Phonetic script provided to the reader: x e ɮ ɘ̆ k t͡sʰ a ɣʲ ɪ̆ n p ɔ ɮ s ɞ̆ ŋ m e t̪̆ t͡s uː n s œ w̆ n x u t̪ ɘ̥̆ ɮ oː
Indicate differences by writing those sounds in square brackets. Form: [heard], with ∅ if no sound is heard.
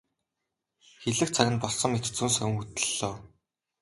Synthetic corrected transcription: x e ɮ ɘ̆ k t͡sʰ a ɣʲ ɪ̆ n p ɔ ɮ s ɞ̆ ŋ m e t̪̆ t͡s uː n s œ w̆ [ŋ] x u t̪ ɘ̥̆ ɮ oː